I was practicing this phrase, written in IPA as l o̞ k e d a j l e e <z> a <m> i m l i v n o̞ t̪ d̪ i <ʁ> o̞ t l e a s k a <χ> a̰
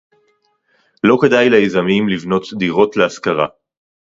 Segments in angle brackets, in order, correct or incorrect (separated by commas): correct, correct, correct, incorrect